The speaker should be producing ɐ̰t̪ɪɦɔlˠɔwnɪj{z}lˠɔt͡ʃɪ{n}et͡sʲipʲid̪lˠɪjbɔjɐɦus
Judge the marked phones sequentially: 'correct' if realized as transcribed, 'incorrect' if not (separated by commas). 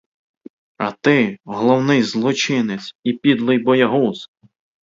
correct, correct